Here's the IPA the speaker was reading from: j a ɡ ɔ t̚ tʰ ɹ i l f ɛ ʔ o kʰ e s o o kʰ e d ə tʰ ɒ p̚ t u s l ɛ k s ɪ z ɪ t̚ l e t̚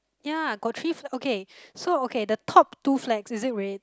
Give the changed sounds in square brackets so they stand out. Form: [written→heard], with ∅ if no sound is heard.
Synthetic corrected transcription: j a ɡ ɔ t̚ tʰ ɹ i [l→∅] f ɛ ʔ o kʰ e s o o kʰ e d ə tʰ [ɒ→ɔ] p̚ t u [s→f] l ɛ k s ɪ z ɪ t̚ [l→ɹ] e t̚